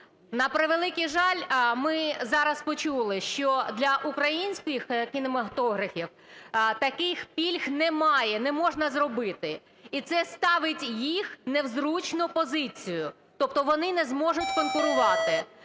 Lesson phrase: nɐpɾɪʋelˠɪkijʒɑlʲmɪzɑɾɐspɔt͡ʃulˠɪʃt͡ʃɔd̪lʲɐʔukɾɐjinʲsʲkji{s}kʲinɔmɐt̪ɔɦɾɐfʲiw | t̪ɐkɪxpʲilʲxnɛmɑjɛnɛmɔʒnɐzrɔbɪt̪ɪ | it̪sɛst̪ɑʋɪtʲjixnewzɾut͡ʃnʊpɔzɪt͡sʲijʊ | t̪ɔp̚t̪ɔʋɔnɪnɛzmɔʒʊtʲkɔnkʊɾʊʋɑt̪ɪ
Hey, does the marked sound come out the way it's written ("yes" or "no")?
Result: no